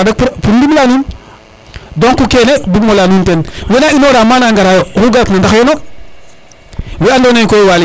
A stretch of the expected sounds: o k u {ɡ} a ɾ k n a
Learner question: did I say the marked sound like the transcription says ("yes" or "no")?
yes